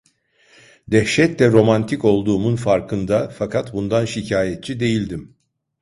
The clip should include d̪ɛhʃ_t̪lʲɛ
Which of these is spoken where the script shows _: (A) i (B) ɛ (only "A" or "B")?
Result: B